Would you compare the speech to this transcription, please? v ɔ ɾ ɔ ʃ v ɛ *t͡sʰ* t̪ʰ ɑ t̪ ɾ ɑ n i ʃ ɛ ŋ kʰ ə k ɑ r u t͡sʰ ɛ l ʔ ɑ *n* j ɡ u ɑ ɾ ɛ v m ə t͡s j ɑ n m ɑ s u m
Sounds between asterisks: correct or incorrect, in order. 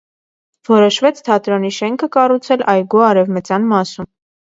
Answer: correct, incorrect

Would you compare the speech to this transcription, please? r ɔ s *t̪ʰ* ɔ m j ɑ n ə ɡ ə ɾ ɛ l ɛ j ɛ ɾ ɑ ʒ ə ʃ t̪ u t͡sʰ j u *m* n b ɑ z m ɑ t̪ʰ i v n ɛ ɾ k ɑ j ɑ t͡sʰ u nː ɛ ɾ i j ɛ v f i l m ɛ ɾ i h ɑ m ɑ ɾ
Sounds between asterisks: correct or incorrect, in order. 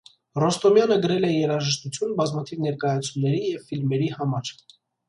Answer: incorrect, incorrect

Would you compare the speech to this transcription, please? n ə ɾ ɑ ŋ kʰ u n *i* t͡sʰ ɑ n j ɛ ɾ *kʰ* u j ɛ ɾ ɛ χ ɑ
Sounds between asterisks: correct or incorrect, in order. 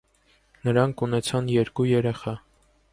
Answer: incorrect, incorrect

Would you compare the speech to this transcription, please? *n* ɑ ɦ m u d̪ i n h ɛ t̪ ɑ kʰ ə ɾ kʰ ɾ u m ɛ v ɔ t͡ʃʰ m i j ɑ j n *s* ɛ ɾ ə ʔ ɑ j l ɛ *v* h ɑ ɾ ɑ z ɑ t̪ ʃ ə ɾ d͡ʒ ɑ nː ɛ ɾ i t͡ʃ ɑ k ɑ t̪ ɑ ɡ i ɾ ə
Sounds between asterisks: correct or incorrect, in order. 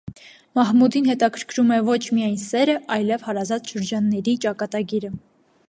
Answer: incorrect, correct, correct

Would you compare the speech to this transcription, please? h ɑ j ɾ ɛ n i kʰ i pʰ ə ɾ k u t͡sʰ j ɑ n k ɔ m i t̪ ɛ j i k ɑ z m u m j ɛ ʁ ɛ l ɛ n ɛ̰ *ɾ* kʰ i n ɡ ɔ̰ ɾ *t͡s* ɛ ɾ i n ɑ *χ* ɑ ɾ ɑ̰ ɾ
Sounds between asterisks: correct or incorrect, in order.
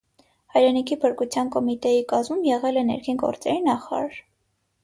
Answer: correct, correct, correct

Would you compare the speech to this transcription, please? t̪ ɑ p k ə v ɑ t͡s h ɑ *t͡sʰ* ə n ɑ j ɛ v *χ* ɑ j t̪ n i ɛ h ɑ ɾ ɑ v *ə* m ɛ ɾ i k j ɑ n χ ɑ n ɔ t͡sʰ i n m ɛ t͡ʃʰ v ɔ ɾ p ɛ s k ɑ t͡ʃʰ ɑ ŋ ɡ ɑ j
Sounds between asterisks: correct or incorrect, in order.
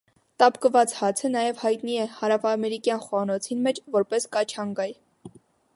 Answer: correct, incorrect, incorrect

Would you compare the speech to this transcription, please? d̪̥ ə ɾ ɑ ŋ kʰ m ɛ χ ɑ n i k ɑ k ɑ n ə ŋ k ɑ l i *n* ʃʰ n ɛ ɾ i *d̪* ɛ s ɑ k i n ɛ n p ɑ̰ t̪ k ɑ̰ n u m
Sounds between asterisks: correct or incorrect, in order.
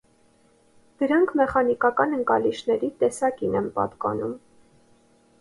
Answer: incorrect, incorrect

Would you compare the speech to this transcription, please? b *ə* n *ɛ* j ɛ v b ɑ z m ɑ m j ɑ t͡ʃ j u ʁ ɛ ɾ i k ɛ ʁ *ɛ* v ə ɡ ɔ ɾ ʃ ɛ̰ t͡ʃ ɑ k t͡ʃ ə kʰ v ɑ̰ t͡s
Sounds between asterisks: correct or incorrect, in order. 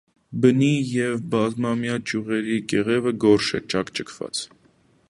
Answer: correct, incorrect, correct

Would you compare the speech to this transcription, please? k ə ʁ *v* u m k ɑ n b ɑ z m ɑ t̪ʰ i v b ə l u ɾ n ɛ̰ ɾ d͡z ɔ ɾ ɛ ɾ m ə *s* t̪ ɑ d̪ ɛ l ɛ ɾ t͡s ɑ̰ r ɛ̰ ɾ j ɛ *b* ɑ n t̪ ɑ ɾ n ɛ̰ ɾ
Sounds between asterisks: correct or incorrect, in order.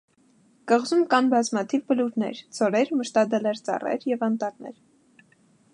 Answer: incorrect, incorrect, incorrect

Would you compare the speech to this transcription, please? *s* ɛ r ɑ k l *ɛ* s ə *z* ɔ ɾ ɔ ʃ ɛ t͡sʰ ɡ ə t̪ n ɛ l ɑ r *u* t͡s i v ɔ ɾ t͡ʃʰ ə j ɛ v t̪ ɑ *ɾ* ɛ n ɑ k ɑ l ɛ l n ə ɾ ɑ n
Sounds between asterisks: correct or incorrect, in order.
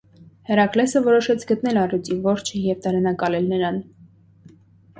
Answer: incorrect, correct, incorrect, correct, correct

